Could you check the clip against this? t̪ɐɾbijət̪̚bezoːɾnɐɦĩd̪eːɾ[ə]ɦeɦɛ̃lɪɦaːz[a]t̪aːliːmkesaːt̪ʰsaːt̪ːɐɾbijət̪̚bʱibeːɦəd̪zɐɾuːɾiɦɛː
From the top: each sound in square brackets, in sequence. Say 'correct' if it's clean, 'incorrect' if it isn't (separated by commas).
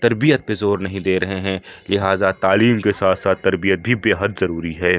incorrect, correct